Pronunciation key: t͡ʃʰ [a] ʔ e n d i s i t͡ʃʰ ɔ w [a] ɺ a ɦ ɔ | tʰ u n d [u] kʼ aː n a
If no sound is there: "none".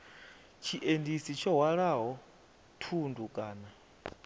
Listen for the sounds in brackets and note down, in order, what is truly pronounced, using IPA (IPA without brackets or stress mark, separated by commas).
i, a, u